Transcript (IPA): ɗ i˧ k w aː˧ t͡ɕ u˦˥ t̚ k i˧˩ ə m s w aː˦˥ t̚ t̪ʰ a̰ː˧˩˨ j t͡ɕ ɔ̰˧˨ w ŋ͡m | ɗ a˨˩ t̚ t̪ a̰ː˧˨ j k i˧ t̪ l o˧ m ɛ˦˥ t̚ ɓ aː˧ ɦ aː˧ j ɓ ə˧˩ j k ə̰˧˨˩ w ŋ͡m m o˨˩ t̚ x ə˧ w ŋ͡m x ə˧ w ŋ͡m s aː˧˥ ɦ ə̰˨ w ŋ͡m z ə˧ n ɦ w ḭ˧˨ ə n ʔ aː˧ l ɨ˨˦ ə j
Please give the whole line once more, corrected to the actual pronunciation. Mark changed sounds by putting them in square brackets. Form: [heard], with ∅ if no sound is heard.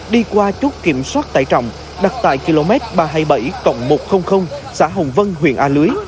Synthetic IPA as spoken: ɗ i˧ k w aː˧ t͡ɕ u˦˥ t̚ k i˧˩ ə m s w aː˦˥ t̚ [t̪] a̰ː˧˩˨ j t͡ɕ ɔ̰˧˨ w ŋ͡m | ɗ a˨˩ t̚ t̪ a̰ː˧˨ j k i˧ [∅] l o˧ m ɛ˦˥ t̚ ɓ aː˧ ɦ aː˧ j ɓ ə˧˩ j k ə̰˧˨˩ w ŋ͡m m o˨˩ t̚ x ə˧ w ŋ͡m x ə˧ w ŋ͡m s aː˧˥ ɦ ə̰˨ w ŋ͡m [v] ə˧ n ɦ w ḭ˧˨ ə n ʔ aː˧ l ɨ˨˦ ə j